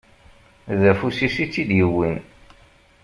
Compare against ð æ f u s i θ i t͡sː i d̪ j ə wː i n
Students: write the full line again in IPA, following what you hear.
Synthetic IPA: ð æ f u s i s i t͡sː i d̪ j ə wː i n